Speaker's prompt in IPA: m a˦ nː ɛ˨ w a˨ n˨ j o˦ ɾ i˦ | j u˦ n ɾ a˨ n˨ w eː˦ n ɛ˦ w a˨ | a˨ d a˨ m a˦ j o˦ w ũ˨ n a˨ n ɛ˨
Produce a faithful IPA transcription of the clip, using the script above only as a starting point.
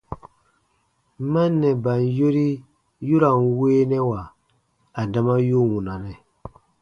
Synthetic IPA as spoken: m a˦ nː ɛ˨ b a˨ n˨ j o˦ ɾ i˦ | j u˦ ɾ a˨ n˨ w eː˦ n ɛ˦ w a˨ | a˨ d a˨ m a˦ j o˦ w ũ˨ n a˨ n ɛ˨